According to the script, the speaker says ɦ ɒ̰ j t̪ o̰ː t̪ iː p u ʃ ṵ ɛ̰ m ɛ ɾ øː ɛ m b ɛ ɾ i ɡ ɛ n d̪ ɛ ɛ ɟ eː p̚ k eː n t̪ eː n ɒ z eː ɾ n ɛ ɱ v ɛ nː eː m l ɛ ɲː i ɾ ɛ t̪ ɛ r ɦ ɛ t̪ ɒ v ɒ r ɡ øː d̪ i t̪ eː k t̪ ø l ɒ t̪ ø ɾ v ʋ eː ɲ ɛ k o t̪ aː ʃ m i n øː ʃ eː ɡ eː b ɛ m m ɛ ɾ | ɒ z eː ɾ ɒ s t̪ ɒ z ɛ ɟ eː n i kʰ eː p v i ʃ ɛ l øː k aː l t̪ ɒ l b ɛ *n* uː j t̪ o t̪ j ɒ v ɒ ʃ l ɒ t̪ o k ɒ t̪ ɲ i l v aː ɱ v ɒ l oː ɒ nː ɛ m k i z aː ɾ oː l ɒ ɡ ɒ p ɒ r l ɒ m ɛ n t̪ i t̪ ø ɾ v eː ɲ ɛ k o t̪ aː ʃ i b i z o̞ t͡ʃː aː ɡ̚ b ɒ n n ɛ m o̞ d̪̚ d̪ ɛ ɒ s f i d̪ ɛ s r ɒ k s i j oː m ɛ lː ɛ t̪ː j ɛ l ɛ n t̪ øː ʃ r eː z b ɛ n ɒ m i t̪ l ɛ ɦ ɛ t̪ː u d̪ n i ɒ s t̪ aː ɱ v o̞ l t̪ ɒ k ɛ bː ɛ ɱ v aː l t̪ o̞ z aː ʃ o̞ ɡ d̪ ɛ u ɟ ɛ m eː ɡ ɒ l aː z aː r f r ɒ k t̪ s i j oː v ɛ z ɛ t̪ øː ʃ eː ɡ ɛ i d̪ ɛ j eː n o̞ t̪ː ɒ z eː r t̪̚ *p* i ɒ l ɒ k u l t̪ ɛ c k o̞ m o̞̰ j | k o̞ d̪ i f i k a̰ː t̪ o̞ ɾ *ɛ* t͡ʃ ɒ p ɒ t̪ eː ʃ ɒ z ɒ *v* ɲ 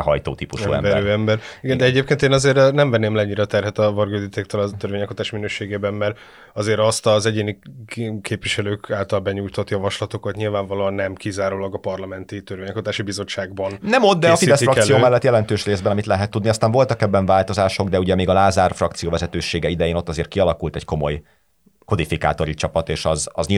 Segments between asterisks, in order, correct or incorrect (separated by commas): incorrect, incorrect, incorrect, incorrect